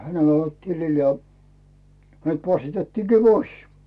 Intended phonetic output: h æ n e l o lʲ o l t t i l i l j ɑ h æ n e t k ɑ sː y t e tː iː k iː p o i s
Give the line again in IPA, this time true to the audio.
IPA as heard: h æ n e l o lʲ o l t t i l i l j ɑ h æ n e t p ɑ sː i t e tː iː k iː p o i s